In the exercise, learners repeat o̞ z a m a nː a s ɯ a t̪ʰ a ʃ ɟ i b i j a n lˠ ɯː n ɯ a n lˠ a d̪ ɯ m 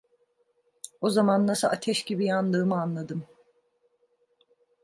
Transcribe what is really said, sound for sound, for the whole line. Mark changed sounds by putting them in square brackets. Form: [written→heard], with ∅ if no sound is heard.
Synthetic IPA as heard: o̞ z a m a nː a s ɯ a t̪ʰ [a→ɛ] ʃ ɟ i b i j a n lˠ ɯː [n→m] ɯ a n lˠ a d̪ ɯ m